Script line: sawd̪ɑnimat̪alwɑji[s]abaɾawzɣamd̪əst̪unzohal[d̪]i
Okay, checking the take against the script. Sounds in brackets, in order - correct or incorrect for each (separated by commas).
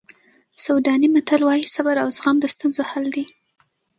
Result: correct, correct